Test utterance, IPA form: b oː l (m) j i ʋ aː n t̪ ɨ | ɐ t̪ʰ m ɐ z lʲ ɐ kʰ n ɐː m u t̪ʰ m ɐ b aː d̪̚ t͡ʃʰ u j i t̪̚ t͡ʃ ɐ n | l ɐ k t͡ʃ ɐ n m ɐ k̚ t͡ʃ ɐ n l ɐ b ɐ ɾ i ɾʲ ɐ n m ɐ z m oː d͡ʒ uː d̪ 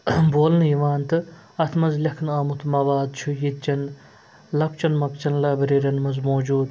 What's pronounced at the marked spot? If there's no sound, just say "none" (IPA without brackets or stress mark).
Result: n